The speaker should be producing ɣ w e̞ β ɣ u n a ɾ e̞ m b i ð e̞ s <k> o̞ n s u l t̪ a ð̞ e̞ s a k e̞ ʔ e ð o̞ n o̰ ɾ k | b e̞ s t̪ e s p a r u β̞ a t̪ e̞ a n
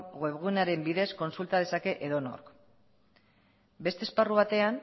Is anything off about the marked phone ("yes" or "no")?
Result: no